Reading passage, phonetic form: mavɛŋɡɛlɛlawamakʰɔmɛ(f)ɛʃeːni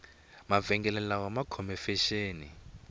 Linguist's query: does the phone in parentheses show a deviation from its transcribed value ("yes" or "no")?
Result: no